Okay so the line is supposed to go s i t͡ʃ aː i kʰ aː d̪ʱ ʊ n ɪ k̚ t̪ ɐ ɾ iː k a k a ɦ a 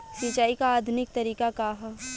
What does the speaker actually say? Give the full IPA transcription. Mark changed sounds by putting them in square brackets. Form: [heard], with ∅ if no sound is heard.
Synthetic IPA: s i t͡ʃ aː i [k] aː d̪ʱ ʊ n ɪ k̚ t̪ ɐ ɾ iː k a k a ɦ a